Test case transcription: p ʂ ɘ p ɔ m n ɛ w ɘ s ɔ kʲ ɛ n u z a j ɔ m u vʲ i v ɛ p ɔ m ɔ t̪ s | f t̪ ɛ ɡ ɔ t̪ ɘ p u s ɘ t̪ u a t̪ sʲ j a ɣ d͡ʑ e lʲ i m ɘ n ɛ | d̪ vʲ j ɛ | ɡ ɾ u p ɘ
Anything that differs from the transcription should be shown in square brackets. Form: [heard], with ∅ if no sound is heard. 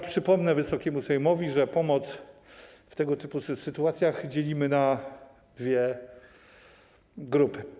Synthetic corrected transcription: p ʂ ɘ p ɔ m n ɛ [v] ɘ s ɔ kʲ ɛ [m] u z a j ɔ m [ɔ] vʲ i [ʐ] ɛ p ɔ m ɔ t̪ s | f t̪ ɛ ɡ ɔ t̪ ɘ p u s ɘ t̪ u a t̪ sʲ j a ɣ d͡ʑ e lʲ i m ɘ n [a] | d̪ vʲ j ɛ | ɡ ɾ u p ɘ